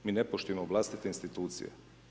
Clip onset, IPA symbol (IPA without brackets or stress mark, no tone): m